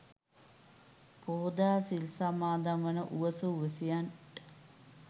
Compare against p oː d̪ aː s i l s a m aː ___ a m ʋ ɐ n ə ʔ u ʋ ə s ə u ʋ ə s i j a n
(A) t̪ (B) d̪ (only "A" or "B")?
B